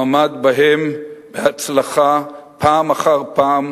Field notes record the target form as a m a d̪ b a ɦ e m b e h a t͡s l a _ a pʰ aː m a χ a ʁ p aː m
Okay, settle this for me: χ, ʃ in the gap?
χ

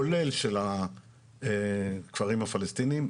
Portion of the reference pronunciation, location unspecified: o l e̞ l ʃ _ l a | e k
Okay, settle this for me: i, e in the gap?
e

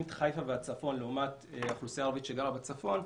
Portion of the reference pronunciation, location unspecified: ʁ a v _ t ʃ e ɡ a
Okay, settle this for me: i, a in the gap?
i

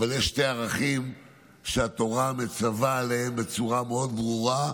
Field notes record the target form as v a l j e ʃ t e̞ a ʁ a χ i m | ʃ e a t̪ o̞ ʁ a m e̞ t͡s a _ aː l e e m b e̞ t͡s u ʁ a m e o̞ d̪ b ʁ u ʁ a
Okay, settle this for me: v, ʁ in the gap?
v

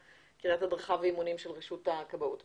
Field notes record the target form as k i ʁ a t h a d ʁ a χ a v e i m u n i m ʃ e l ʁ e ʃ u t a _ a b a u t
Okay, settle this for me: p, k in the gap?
k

